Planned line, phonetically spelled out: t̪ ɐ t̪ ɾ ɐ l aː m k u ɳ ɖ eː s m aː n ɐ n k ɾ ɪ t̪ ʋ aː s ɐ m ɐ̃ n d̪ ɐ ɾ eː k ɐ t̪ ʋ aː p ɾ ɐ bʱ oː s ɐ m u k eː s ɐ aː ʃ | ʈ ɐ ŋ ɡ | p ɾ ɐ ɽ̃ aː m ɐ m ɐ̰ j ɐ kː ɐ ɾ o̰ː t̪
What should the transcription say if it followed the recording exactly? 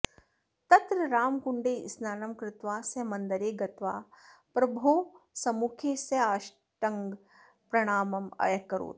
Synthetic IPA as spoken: t̪ ɐ t̪ ɾ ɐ ɾ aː m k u ɳ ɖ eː s n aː n ɐ m k ɾ ɪ t̪ ʋ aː s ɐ m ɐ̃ n d̪ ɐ ɾ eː ɡ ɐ t̪ ʋ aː p ɾ ɐ bʱ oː s ɐ m u kʰ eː s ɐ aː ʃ | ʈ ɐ ŋ ɡ | p ɾ ɐ ɽ̃ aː m ɐ m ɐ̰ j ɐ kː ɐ ɾ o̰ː t̪